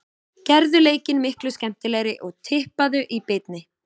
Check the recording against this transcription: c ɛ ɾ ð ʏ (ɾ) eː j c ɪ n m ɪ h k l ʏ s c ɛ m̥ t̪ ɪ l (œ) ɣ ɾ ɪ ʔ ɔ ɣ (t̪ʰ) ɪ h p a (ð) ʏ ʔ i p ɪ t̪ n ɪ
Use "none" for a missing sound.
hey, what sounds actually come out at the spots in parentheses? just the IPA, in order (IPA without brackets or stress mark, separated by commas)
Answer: l, ɛ, t̪ʰ, ð